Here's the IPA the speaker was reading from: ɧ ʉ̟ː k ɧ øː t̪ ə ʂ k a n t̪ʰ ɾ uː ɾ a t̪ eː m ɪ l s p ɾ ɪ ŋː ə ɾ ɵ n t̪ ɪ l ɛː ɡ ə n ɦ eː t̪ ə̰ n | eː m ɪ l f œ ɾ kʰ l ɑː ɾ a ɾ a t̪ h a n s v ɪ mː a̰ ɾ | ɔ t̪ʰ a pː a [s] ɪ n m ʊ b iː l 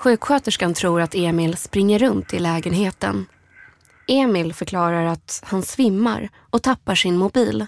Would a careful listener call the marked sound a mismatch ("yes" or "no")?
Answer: yes